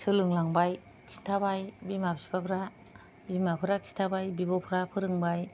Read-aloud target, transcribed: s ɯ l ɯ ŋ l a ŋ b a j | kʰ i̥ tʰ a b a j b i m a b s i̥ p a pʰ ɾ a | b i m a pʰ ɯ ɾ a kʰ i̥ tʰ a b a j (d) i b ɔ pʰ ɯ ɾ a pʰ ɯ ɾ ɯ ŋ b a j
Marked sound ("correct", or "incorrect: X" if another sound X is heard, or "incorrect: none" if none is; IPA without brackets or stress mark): incorrect: b